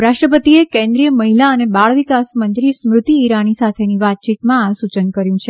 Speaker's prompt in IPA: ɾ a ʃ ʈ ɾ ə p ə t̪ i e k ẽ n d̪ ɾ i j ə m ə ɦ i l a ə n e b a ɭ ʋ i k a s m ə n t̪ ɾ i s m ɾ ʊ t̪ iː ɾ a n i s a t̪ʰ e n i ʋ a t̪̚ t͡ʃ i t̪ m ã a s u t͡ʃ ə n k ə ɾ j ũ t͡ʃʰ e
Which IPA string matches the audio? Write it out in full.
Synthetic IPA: ɾ a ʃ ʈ ɾ ə p ə t̪ i e k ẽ n d̪ ɾ i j ə m ə ɦ i l a ə n e b a ɭ ʋ i k a s m ə n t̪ ɾ i s m ɾ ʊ t̪ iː ɾ a n i s a t̪ʰ e n i ʋ a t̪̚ t͡ʃ i t̪ m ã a s u t͡ʃ ə n k ə ɾ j ũ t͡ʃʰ e